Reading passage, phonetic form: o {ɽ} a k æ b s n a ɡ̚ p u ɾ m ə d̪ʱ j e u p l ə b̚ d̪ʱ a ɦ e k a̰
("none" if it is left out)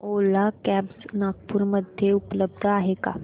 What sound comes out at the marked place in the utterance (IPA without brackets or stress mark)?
l